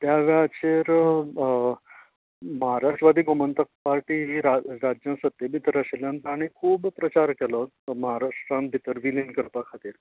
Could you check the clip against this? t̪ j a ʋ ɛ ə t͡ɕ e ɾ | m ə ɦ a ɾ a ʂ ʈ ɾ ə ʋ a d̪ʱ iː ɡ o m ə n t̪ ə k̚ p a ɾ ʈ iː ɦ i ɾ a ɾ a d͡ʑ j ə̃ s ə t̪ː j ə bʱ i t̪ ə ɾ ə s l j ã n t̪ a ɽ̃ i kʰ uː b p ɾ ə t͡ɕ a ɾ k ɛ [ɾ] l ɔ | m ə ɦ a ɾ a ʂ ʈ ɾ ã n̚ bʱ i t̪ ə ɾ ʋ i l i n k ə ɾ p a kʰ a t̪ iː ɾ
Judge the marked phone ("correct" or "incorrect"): incorrect